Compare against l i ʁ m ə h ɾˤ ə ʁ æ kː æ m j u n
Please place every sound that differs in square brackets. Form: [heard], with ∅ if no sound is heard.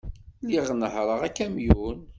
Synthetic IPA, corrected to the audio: l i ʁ [n] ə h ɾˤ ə ʁ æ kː æ m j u n